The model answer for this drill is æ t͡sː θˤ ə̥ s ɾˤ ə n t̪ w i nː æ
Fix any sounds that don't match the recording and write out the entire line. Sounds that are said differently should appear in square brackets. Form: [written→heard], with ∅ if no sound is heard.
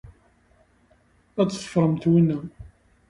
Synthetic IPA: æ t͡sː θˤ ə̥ [s→f] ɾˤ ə [n→m] t̪ w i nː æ